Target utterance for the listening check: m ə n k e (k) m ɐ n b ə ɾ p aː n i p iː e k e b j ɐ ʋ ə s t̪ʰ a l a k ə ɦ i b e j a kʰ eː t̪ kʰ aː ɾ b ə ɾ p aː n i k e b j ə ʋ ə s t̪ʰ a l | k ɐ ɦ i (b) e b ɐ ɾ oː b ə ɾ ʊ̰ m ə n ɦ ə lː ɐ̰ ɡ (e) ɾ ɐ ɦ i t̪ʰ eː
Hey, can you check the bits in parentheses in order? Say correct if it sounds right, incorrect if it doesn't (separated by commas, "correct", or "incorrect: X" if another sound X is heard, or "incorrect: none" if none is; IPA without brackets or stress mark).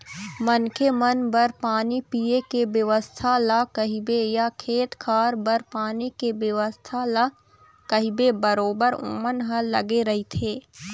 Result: incorrect: none, correct, correct